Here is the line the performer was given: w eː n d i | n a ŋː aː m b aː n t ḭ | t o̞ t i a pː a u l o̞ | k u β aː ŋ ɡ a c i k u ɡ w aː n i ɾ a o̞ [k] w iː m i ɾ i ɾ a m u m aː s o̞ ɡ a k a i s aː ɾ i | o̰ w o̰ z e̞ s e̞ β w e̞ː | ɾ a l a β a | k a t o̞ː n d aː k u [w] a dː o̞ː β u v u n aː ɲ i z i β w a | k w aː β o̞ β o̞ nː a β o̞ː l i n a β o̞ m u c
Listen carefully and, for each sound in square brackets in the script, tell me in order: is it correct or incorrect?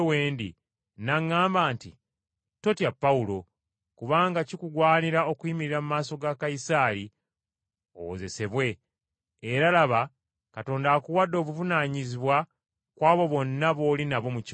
correct, correct

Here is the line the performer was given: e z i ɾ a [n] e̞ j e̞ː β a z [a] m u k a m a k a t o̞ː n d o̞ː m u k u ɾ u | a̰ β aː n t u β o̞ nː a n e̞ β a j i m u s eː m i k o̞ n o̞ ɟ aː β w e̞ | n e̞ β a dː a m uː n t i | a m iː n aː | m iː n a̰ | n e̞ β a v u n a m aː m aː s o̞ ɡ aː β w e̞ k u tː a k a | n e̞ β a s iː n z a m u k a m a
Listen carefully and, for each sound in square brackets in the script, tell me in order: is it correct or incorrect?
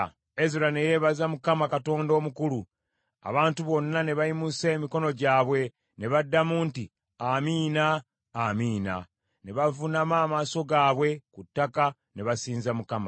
correct, correct

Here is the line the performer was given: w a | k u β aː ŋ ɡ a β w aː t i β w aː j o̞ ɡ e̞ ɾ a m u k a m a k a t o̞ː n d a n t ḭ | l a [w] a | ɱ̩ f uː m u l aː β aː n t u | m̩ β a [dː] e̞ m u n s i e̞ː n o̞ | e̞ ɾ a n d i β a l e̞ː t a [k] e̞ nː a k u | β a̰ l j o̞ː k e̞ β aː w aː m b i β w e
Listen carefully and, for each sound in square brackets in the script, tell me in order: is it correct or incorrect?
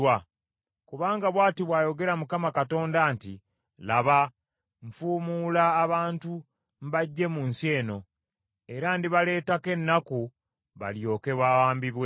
incorrect, incorrect, correct

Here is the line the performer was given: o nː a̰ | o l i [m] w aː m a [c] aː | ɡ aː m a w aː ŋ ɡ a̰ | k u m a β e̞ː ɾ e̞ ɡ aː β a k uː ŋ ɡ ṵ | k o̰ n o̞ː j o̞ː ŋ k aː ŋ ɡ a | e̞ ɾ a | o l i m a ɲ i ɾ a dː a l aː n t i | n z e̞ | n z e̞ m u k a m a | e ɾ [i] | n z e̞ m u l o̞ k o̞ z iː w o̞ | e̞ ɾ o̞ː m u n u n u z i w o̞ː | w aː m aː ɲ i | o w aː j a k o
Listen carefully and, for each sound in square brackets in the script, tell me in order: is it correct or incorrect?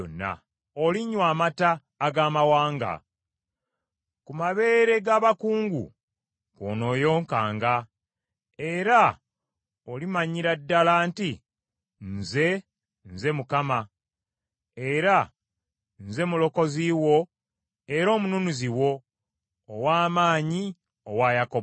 incorrect, incorrect, incorrect

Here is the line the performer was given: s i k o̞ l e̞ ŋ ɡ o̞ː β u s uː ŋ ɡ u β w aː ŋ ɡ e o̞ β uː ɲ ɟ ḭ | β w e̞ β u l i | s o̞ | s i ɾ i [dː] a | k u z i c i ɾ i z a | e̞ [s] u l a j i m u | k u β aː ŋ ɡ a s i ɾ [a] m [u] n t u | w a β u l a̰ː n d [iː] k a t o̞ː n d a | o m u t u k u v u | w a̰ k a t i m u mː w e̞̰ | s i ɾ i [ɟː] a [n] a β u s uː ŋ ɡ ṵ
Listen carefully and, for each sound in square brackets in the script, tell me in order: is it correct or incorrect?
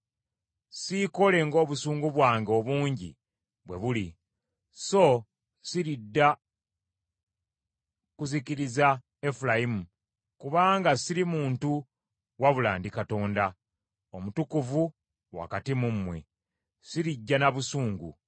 correct, incorrect, incorrect, incorrect, incorrect, correct, correct

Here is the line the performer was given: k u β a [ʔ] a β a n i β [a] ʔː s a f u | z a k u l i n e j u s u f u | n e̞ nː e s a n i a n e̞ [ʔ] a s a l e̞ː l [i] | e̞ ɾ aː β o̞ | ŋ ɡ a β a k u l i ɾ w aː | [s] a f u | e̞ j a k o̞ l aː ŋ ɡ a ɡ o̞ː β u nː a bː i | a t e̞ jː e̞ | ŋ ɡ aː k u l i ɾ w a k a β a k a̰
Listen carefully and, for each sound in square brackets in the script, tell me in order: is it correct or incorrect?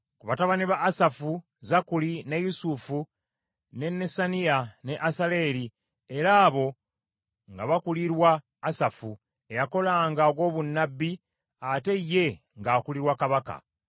incorrect, correct, correct, correct, correct

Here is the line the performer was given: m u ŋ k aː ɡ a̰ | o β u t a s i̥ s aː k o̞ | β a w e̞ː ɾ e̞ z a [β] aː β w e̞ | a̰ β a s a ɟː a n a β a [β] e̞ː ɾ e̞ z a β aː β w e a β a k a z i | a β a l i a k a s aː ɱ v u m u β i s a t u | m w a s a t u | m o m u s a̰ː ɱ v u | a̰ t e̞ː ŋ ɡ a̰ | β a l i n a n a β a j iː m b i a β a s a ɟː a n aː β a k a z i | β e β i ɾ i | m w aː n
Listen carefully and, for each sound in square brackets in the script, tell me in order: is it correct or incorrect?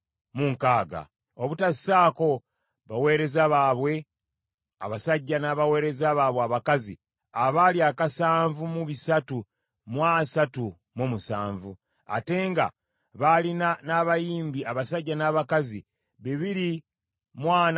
correct, incorrect

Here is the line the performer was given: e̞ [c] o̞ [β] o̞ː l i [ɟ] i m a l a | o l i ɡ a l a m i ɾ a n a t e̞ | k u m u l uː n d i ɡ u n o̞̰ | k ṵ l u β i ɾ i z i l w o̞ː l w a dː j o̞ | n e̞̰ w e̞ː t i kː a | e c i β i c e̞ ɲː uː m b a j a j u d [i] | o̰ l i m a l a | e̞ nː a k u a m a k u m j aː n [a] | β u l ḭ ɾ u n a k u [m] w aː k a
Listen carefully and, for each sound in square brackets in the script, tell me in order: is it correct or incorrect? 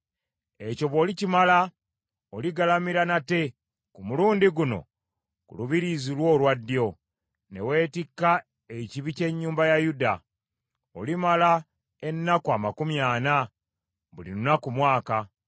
correct, correct, incorrect, incorrect, correct, correct

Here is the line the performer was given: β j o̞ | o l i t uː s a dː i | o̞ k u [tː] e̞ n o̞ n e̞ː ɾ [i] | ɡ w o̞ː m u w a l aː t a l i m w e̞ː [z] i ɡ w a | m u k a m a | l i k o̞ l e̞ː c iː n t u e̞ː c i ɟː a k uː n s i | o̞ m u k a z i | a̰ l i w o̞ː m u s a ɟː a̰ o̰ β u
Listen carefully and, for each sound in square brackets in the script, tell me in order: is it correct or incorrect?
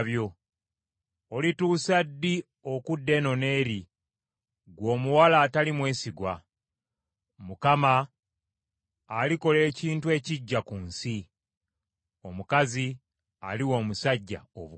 incorrect, correct, incorrect

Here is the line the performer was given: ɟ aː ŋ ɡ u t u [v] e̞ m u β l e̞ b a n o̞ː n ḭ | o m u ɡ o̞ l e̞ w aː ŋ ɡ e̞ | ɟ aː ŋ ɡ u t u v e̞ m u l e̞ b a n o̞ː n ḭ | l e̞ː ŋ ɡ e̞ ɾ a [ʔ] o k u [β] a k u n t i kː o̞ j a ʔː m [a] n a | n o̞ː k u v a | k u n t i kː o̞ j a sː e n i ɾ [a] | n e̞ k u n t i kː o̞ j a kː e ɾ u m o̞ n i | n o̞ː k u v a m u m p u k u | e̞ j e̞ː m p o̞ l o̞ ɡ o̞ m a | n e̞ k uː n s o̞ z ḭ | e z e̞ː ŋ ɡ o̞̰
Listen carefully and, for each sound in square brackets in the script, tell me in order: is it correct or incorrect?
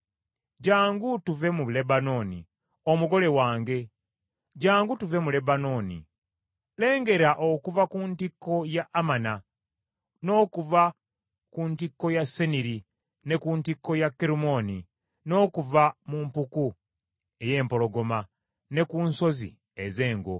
correct, correct, incorrect, correct, incorrect

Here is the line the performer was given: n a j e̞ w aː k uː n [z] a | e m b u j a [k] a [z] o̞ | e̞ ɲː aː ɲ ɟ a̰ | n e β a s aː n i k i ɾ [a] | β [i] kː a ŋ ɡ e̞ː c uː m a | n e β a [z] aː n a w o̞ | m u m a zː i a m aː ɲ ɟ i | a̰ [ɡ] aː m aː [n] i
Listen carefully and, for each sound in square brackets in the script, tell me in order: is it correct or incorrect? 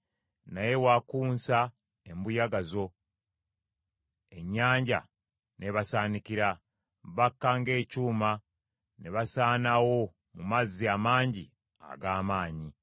incorrect, incorrect, correct, correct, incorrect, incorrect, correct, incorrect

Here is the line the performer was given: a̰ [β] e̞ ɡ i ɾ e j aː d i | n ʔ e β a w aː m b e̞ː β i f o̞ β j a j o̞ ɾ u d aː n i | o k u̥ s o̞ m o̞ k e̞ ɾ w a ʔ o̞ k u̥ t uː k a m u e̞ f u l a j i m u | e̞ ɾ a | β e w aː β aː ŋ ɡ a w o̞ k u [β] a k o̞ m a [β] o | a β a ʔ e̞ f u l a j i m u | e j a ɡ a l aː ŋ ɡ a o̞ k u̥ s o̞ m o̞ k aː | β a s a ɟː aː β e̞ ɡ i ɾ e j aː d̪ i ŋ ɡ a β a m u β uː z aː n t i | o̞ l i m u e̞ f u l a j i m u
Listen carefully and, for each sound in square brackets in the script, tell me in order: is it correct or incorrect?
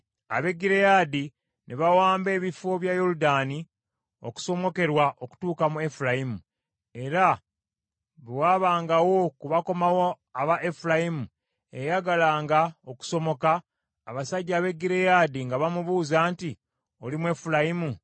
correct, correct, incorrect

